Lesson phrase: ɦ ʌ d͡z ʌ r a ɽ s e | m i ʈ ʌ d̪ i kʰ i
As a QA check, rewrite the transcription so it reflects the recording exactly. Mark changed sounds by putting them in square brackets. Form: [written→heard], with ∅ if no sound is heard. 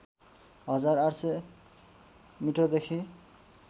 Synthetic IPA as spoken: ɦ ʌ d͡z [ʌ→a] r a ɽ s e | m i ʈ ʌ d̪ [i→e] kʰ i